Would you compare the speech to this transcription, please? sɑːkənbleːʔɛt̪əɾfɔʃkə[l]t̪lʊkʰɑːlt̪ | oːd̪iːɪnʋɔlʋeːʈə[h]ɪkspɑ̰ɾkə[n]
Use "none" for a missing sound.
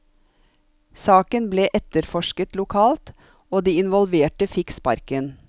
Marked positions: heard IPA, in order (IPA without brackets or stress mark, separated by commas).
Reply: none, f, n